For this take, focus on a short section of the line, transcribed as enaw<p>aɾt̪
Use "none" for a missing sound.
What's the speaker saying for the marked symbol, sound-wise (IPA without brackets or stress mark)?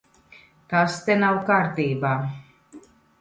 k